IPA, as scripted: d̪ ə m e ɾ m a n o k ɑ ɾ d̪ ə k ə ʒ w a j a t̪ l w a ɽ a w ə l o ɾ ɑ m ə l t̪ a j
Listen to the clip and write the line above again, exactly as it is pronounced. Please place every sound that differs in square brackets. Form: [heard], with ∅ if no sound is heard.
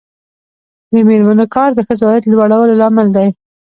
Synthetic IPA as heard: d̪ ə m e ɾ m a n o k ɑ ɾ d̪ ə [x] ə [z] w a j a t̪ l w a ɽ a w ə l o [l] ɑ m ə l [d̪] a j